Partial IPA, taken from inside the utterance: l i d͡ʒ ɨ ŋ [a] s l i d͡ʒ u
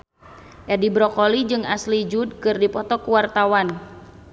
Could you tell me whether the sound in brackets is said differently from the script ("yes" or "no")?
no